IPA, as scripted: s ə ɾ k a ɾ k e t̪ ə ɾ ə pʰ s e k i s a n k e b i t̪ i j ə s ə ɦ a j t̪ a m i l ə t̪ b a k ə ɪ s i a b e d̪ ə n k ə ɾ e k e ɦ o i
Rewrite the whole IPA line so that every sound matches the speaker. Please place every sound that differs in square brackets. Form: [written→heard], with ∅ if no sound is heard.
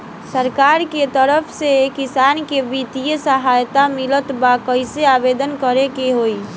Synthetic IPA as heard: s ə ɾ k a ɾ k e t̪ ə ɾ ə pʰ s e k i s a n k e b i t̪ i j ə s ə ɦ a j t̪ a m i l ə t̪ b a k ə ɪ s [i→e] a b e d̪ ə n k ə ɾ e k e ɦ o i